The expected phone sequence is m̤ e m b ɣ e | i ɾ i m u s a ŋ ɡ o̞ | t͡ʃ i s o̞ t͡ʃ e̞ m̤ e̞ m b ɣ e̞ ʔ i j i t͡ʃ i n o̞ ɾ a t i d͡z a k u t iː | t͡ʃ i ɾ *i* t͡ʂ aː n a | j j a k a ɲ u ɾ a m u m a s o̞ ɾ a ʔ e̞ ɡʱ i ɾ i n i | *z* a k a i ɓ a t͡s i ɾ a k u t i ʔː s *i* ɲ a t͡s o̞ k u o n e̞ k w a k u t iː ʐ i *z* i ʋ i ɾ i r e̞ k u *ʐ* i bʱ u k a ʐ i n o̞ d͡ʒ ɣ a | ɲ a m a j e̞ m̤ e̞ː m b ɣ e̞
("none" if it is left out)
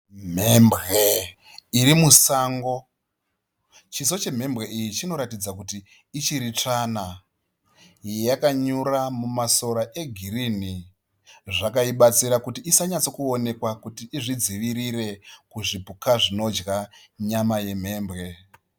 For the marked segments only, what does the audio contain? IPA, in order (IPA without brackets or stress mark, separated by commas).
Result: i, ʐ, a, d͡z, ʐ